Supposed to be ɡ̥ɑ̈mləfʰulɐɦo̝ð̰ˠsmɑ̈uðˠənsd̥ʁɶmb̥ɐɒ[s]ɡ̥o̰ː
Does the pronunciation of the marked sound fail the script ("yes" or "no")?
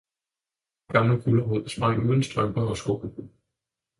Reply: no